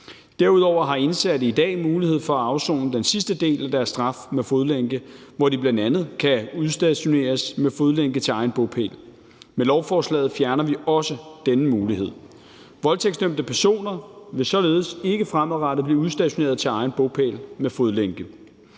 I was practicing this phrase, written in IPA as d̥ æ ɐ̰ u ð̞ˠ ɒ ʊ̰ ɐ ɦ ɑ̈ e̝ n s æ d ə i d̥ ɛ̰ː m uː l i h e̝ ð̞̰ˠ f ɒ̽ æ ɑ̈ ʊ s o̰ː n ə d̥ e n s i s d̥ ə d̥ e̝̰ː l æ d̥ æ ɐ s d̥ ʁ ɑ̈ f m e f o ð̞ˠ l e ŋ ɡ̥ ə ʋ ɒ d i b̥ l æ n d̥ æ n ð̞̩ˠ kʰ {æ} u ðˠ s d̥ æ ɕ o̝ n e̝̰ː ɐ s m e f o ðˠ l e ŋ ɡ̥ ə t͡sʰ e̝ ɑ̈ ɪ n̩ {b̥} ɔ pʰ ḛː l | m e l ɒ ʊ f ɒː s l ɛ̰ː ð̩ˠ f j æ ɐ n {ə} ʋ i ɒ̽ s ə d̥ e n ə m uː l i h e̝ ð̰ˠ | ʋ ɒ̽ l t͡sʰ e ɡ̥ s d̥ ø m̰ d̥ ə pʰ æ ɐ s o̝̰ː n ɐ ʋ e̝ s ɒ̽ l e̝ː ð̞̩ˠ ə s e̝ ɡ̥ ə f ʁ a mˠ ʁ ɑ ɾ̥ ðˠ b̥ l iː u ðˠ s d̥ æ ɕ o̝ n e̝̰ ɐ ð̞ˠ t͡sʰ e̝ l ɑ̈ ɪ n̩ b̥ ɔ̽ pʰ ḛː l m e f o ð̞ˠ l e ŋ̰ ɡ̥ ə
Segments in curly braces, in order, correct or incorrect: correct, correct, incorrect: ɐ

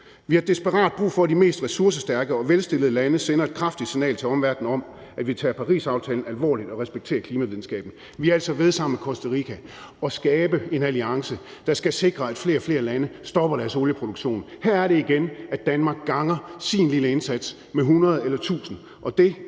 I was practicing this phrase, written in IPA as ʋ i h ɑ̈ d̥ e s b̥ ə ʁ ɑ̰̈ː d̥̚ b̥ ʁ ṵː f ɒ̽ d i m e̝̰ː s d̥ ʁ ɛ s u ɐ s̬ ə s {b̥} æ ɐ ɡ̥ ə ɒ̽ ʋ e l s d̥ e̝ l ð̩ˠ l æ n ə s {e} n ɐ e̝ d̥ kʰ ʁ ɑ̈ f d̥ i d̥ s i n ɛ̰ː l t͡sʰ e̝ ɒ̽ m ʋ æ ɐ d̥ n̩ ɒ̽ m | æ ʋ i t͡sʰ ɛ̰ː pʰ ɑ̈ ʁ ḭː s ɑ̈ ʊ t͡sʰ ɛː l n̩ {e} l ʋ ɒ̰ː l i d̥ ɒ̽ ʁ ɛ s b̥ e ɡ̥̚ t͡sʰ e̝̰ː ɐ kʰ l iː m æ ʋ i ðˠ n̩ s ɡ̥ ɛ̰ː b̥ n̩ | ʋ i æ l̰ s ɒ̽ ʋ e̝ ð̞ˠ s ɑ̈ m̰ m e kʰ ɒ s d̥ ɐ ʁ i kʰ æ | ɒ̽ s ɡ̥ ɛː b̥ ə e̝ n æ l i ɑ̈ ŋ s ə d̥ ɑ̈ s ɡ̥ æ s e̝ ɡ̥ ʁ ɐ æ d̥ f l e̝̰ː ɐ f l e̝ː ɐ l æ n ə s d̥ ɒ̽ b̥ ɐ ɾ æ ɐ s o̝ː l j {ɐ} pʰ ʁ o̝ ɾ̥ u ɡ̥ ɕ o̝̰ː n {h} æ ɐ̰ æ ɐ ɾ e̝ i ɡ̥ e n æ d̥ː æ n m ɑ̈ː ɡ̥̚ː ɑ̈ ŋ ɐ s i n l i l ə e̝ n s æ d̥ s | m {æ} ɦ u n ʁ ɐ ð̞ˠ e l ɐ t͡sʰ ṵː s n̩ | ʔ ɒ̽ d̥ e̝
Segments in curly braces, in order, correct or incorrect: incorrect: d̥, correct, incorrect: æ, incorrect: ə, correct, incorrect: e

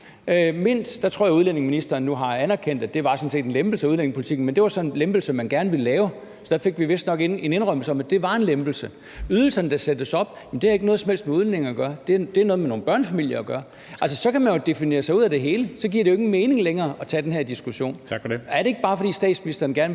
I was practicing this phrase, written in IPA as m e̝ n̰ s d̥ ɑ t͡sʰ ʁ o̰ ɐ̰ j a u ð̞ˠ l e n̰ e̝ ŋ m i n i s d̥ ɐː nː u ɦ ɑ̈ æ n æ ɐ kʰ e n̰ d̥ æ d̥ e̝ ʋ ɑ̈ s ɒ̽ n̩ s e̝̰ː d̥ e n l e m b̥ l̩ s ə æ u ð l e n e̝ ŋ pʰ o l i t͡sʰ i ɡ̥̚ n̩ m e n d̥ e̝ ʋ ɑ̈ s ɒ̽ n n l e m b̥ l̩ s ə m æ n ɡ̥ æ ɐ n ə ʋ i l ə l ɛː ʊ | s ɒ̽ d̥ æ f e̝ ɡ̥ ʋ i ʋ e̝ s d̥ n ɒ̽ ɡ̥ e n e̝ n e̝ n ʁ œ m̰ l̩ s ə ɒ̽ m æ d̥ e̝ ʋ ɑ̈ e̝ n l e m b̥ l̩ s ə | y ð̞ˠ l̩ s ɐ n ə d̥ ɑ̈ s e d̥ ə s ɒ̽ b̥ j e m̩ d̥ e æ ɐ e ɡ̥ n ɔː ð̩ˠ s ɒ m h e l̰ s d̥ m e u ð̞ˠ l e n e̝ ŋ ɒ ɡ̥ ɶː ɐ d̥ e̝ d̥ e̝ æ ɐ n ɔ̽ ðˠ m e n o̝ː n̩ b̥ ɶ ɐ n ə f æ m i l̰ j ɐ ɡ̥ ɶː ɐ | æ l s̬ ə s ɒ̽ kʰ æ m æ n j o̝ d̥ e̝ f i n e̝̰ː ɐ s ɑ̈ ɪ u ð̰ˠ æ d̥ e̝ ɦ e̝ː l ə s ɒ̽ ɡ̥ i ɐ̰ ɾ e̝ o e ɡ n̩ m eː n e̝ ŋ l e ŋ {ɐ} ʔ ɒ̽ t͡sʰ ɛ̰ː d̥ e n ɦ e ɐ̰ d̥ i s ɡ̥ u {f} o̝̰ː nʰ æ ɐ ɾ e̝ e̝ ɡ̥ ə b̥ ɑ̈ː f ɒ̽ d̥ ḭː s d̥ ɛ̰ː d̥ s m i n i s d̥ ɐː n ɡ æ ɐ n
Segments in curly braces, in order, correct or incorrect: incorrect: ɐː, incorrect: ɕ

